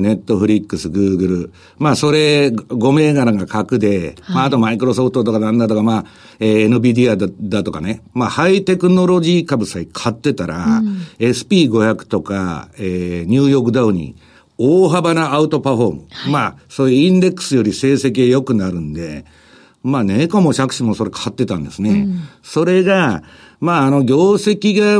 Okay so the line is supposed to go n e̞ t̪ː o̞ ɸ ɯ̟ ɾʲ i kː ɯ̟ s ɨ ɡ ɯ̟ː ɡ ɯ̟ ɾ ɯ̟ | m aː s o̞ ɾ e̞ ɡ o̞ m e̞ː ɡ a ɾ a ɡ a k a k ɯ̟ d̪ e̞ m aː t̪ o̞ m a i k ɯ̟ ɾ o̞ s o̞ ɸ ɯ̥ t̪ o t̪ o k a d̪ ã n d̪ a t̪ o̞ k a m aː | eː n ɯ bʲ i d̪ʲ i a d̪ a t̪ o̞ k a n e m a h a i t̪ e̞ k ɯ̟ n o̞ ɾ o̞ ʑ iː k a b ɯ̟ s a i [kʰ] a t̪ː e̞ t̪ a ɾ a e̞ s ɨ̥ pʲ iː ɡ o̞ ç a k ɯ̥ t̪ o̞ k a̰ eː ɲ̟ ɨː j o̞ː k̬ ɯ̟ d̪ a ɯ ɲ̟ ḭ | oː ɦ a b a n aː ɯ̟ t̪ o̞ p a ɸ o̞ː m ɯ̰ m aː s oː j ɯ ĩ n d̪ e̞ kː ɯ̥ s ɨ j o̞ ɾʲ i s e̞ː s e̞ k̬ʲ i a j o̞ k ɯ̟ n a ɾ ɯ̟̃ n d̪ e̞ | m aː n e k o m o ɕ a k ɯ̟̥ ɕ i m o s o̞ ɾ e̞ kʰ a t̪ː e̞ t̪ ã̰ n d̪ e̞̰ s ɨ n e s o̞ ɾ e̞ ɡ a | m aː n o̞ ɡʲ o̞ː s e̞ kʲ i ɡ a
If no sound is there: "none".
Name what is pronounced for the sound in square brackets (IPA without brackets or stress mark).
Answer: kʰ